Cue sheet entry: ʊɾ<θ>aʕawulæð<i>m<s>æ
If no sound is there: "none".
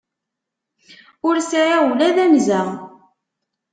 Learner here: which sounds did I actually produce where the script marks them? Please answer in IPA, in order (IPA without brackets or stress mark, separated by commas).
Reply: s, æ, z